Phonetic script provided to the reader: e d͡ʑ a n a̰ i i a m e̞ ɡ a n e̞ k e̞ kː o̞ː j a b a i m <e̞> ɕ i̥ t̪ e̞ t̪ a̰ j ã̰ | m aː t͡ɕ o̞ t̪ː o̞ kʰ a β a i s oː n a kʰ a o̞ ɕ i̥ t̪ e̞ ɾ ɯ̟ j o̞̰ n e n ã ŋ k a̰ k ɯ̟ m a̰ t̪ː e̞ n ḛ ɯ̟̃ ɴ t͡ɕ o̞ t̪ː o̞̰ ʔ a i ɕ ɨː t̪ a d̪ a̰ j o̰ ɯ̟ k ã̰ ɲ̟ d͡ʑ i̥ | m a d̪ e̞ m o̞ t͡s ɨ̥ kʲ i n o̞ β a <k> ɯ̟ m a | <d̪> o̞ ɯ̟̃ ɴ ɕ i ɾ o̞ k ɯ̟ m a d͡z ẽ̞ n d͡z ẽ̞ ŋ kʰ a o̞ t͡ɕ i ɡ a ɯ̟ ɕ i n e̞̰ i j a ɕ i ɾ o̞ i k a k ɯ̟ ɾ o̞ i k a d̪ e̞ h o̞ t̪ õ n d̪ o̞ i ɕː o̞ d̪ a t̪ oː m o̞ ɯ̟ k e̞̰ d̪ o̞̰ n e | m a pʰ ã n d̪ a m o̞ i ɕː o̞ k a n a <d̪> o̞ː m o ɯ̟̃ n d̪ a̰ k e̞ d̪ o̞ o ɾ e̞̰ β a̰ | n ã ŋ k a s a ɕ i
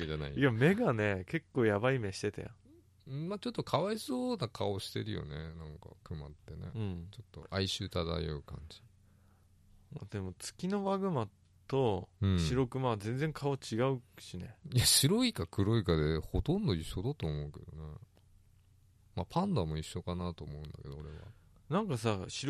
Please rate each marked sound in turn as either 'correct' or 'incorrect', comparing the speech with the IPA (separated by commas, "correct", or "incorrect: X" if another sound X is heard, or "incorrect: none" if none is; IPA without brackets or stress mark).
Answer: correct, incorrect: ɡ, incorrect: t̪, incorrect: t̪